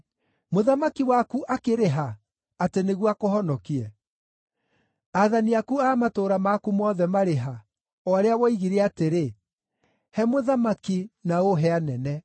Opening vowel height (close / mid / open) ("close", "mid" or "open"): mid